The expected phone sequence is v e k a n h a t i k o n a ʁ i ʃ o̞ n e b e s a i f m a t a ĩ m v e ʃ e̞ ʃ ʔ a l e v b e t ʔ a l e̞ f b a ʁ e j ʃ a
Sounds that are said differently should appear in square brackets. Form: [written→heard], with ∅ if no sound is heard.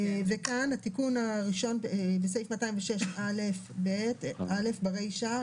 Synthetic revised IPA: v e k a n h a t i k [o→u] n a ʁ i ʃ o̞ n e b e s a i f m a t a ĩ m v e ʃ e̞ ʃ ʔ a l e [v→f] b e t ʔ a l e̞ f b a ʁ e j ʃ a

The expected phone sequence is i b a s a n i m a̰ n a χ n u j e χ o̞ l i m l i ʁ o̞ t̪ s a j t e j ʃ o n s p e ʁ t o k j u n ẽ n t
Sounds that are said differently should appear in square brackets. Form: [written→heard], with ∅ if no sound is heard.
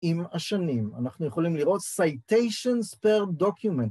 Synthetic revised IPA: i [b→m] a [s→ʃ] a n i m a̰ n a χ n u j e χ o̞ l i m l i ʁ o̞ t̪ s a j t e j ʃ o n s p e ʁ [t→d] o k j u [n→m] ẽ n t

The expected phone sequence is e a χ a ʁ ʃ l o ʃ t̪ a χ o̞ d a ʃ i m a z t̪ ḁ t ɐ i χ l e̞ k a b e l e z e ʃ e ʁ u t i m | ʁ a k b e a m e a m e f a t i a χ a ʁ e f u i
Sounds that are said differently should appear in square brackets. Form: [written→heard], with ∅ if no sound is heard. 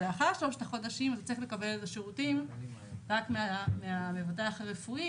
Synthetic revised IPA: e a χ a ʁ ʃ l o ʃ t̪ a χ o̞ d a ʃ i m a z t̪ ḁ [t→t͡s] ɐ i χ l e̞ k a b e l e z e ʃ e ʁ u t i m | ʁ a k [b→m] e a m e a m e [f→v] a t [i→e] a χ a ʁ e f u i

